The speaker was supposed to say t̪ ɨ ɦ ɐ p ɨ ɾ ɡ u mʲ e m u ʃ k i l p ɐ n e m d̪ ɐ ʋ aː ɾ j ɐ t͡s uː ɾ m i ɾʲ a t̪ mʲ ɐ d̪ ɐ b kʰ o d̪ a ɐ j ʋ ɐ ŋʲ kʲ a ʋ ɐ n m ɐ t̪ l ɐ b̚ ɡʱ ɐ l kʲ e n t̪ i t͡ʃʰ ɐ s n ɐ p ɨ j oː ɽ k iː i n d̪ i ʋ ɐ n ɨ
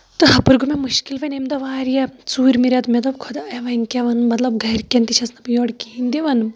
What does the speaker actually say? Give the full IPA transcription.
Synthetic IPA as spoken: t̪ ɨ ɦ ɐ p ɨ ɾ ɡ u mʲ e m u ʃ k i l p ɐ n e m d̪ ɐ ʋ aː ɾ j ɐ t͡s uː ɾ m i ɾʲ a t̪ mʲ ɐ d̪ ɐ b kʰ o d̪ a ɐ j ʋ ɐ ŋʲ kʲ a ʋ ɐ n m ɐ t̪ l ɐ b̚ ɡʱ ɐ ɾ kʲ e n t̪ i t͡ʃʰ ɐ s n ɐ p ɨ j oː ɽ k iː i n d̪ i ʋ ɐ n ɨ